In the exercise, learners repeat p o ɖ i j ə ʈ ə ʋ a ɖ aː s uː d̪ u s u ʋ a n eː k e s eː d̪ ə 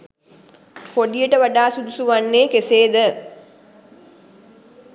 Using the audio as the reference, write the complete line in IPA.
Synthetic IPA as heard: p o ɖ i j ə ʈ ə ʋ a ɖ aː s u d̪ u s u ʋ a nː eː k e s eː d̪ ə